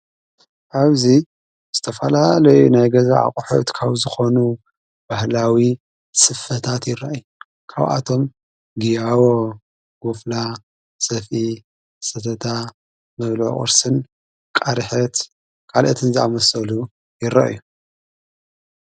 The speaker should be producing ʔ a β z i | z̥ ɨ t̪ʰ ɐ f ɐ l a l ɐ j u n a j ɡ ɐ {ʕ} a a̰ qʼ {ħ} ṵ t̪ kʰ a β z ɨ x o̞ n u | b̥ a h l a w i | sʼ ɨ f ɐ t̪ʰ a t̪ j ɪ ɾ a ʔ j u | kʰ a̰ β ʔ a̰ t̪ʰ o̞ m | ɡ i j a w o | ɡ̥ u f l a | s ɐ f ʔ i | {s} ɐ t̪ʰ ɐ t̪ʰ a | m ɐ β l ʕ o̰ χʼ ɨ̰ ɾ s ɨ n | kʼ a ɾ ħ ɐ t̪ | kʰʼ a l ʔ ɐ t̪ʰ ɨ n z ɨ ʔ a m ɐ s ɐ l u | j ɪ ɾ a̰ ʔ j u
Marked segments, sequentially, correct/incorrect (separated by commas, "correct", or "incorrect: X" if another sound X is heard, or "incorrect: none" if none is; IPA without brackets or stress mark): incorrect: z, correct, correct